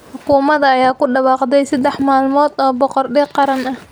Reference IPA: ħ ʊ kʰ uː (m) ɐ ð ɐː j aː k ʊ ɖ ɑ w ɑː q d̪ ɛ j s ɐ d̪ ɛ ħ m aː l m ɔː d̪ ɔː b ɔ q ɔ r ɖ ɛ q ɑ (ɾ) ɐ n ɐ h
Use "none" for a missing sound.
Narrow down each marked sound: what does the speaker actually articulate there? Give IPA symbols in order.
m, ɾ

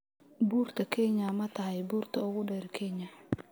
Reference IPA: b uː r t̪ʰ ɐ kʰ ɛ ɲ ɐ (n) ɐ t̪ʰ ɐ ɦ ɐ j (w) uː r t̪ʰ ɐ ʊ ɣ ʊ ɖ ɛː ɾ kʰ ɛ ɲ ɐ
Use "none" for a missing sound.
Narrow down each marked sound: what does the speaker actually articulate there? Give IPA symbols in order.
m, b

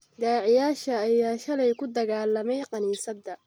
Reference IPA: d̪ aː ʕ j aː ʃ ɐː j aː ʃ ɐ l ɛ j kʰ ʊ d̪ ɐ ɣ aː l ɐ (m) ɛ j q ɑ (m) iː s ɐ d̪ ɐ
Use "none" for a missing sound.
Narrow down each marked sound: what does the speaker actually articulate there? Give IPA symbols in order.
m, n

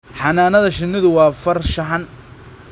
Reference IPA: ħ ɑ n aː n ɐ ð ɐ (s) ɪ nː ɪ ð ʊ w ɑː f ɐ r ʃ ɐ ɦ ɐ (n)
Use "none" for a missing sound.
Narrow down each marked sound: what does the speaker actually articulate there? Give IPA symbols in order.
ʃ, n

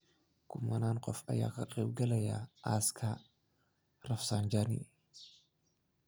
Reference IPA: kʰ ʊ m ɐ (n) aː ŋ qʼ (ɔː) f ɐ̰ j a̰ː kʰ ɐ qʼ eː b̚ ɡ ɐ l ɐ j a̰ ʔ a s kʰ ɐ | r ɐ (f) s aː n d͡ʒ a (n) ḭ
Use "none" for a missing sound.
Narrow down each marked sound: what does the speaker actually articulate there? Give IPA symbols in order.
n, ɔ, f, n

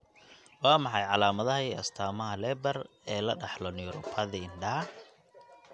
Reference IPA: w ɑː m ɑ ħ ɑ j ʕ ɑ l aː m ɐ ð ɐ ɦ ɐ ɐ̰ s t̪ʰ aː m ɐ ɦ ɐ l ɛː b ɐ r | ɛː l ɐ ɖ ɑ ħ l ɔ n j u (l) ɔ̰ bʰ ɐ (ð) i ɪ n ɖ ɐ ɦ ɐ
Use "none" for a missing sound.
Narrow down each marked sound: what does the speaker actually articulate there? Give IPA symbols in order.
ɾ, ð

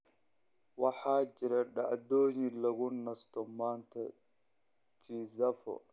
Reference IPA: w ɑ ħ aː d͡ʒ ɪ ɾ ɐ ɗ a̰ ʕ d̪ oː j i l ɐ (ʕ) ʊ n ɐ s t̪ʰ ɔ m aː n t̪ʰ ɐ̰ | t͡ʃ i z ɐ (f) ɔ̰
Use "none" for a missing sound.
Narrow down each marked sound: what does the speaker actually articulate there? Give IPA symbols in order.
ɣ, f

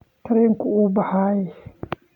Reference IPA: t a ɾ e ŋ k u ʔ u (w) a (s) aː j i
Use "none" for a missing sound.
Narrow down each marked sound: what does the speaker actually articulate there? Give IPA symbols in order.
b, h

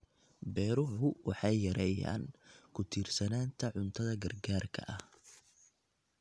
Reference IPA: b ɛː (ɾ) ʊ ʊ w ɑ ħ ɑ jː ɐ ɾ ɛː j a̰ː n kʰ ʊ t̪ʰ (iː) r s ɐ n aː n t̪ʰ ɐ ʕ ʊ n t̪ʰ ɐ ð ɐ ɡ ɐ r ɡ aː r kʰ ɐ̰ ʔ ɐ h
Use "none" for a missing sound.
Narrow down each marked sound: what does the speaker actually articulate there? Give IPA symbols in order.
ɾ, iː

